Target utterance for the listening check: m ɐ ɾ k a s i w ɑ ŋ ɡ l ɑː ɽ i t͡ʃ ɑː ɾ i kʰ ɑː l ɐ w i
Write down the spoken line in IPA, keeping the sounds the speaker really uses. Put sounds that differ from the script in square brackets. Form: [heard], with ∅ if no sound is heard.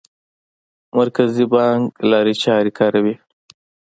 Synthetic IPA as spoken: m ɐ ɾ k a [z] i [b] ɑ ŋ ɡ l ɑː [ɾ] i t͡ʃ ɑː ɾ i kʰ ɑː [ɾ] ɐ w i